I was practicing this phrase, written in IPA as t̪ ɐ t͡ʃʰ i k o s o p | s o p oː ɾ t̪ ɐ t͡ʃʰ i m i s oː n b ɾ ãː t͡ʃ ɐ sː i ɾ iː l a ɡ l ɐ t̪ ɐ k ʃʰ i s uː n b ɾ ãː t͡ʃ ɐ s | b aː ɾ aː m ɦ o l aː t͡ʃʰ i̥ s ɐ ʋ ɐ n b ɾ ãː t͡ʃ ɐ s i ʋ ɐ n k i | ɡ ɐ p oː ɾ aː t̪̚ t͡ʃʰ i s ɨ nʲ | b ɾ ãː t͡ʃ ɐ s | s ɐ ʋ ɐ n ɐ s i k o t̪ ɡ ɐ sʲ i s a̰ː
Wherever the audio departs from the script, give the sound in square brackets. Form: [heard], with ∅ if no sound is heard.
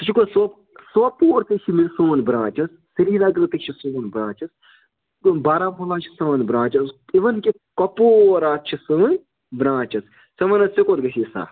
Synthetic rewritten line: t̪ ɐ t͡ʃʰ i k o s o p | s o p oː ɾ t̪ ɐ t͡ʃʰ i m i s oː n b ɾ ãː t͡ʃ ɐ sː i ɾ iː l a ɡ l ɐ t̪ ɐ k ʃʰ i s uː n b ɾ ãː t͡ʃ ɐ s | b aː ɾ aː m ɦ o l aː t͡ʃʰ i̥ s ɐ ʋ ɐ n b ɾ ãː t͡ʃ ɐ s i ʋ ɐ n k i | [k] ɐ p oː ɾ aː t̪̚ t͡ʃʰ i s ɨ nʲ | b ɾ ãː t͡ʃ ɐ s | s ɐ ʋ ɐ n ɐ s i k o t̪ ɡ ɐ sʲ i s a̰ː